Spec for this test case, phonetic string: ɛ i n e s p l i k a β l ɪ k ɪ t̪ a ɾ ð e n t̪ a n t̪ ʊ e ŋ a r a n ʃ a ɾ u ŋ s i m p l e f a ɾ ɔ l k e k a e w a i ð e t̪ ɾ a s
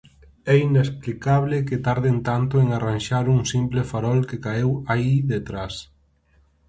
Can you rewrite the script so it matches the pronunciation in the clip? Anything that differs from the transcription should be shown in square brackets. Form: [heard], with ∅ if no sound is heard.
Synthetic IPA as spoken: ɛ i n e s p l i k a β l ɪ k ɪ t̪ a ɾ ð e n t̪ a n t̪ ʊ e ŋ a r a n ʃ a ɾ u ŋ s i m p l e f a ɾ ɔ l k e k a e w a i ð e t̪ ɾ a s